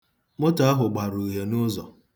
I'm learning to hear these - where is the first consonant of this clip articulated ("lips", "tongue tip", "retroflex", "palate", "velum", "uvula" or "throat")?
lips